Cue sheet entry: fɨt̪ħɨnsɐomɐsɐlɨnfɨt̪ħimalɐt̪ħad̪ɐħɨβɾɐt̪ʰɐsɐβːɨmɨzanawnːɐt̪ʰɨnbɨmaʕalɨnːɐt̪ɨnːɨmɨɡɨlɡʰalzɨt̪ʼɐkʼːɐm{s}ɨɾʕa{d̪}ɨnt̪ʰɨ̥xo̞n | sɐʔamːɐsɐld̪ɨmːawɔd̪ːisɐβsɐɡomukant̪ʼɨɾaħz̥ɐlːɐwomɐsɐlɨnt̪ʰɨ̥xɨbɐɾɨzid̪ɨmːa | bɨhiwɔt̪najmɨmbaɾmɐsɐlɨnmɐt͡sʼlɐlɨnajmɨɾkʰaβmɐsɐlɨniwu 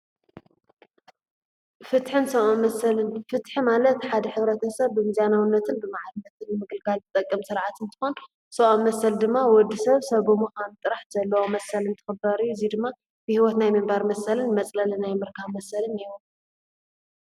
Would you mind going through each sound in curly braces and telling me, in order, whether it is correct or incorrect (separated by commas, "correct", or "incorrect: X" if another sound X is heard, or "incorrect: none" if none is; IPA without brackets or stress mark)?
correct, incorrect: t̪